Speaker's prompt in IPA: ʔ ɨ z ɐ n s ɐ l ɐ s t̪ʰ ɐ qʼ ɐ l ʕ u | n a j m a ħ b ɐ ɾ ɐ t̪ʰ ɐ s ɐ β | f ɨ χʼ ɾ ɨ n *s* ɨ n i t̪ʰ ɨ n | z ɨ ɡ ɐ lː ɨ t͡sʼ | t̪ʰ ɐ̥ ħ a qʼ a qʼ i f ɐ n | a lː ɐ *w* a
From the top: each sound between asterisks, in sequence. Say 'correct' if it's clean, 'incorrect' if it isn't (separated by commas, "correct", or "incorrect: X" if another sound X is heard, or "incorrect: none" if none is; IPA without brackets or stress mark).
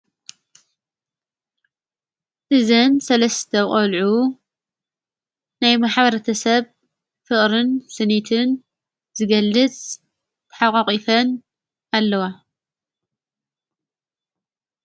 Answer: correct, correct